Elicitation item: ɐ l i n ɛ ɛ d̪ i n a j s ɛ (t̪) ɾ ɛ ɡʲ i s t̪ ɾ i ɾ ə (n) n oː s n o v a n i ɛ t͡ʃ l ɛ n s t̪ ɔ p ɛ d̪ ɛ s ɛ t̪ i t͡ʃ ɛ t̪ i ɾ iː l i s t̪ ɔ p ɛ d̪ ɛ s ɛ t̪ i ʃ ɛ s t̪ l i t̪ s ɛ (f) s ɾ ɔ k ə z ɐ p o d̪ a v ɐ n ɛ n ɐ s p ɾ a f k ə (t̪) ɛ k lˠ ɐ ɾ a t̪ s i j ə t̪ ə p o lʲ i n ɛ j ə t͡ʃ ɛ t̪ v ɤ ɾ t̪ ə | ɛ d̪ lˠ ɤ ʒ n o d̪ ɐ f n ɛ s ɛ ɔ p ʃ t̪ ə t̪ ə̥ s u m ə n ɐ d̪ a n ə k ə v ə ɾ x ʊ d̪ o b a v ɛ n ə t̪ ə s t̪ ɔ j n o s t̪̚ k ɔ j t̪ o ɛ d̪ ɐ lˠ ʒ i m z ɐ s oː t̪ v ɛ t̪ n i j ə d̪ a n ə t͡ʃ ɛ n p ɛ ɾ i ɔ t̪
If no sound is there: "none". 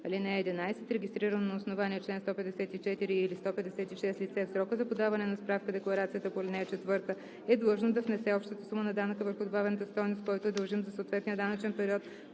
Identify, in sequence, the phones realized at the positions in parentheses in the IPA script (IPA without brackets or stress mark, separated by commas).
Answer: t̪, n, f, d̪